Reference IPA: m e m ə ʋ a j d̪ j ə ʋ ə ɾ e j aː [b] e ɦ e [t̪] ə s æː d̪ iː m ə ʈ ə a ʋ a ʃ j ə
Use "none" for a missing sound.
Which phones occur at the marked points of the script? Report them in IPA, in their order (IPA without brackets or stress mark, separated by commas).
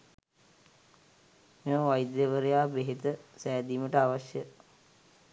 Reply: b, t̪